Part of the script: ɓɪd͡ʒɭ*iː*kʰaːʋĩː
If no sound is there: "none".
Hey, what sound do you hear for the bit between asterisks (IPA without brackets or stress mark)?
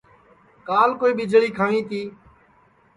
iː